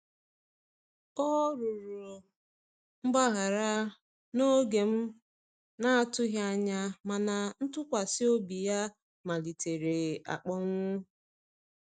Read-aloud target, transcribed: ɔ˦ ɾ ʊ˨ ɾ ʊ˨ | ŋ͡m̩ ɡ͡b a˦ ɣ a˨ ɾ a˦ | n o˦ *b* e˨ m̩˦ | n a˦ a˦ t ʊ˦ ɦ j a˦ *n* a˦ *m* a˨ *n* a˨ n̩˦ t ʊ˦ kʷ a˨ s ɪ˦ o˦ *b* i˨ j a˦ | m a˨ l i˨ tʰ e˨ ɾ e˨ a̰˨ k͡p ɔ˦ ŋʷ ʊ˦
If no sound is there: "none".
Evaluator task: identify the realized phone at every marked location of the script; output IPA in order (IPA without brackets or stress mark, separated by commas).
ɡ, ɲ, m, n, b